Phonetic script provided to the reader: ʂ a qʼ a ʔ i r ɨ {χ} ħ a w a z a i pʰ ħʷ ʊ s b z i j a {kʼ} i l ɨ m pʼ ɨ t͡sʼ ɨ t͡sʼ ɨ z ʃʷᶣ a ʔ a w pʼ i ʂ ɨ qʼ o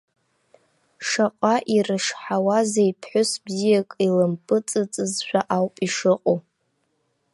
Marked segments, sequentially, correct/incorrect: incorrect, correct

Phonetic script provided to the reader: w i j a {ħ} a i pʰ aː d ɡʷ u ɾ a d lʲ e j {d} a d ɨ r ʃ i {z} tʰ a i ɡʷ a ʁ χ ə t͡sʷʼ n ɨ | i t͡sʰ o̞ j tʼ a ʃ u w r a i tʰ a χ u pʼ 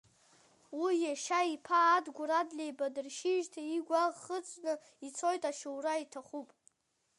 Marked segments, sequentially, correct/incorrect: incorrect, incorrect, incorrect

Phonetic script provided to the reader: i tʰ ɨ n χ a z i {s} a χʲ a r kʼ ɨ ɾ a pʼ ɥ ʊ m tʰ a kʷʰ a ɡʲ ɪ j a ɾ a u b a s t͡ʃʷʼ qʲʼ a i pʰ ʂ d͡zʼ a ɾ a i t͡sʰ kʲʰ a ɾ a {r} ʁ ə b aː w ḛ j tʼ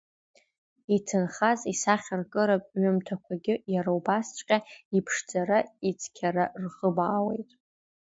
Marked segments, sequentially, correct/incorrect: correct, correct

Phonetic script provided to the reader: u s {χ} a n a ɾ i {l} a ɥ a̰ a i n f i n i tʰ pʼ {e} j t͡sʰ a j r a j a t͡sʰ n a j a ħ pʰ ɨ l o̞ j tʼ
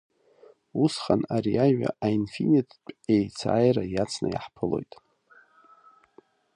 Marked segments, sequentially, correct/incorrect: correct, incorrect, correct

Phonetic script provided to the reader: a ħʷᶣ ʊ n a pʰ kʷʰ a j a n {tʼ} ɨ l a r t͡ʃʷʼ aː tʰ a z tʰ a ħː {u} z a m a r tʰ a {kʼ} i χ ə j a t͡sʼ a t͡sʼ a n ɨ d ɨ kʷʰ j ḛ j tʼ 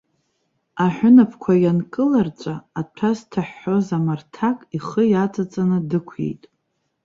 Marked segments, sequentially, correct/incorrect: incorrect, incorrect, correct

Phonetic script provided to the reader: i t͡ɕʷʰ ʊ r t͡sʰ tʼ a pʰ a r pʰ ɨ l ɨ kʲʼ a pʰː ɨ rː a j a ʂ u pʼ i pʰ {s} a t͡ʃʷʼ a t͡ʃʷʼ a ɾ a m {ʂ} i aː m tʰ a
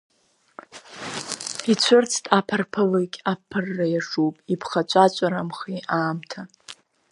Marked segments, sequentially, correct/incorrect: incorrect, incorrect

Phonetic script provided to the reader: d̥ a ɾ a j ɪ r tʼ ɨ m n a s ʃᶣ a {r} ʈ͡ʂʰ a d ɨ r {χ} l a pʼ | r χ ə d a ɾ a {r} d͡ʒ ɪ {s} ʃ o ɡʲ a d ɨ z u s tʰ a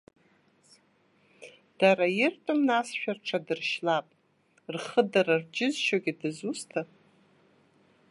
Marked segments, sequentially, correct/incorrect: correct, incorrect, correct, incorrect

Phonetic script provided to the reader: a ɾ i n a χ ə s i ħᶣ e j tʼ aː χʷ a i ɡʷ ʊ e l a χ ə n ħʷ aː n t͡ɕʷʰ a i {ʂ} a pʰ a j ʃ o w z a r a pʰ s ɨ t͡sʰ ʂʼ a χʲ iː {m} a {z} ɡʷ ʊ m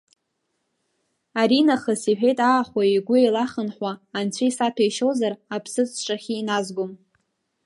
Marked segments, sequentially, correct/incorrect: incorrect, incorrect, correct

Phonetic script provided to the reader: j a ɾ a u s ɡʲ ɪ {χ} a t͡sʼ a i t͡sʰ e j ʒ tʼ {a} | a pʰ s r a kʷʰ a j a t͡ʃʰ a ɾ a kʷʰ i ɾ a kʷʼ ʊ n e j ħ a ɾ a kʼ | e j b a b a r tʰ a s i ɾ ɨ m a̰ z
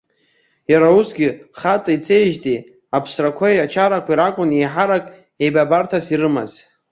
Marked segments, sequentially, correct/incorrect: correct, incorrect

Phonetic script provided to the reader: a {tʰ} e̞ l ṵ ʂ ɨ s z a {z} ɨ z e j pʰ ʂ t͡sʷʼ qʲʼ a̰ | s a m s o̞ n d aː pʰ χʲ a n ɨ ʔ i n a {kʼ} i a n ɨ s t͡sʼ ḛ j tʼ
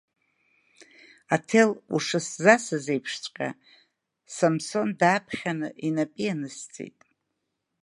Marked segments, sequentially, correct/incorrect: correct, incorrect, incorrect

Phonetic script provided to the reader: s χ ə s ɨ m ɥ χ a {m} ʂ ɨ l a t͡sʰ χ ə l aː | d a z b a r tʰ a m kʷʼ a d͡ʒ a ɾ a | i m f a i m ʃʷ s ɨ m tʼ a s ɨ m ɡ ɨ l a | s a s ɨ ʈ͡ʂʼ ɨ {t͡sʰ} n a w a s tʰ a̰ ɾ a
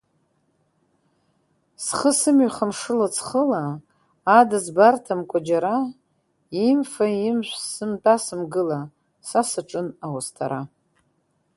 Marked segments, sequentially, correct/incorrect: correct, incorrect

